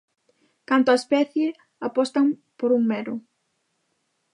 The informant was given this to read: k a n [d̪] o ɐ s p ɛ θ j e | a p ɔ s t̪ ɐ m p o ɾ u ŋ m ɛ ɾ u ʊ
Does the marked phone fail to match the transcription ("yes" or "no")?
yes